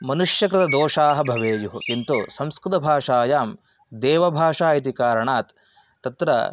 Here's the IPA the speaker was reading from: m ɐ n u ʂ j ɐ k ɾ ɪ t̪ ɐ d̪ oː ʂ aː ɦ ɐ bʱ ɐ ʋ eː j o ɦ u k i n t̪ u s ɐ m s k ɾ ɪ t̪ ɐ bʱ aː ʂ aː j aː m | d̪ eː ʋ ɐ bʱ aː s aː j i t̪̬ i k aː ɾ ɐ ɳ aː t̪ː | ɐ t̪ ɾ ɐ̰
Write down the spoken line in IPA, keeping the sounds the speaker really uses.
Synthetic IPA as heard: m ɐ n u ʂ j ɐ k ɾ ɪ t̪ ɐ d̪ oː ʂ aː ɦ ɐ bʱ ɐ ʋ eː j u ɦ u k i n t̪ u s ɐ m s k ɾ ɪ t̪ ɐ bʱ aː ʂ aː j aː m | d̪ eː ʋ ɐ bʱ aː ʂ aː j i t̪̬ i k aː ɾ ɐ ɳ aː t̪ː | ɐ t̪ ɾ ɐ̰